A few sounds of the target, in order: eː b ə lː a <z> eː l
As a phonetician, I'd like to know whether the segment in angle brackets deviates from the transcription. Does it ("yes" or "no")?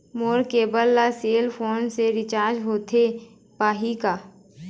yes